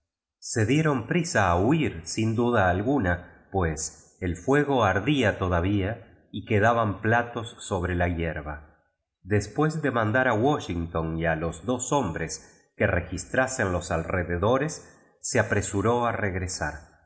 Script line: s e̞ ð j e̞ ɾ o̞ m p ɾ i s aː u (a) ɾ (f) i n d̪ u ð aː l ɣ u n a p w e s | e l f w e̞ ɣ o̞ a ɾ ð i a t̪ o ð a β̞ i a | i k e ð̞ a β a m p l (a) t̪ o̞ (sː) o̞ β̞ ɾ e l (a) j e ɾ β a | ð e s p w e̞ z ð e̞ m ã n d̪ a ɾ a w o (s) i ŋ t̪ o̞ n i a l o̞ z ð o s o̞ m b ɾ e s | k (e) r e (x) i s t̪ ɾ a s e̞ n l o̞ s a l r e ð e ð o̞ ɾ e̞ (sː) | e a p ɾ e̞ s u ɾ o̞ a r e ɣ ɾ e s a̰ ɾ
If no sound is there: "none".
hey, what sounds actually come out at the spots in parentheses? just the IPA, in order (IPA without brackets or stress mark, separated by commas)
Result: i, s, a, sː, a, ʃ, e, x, sː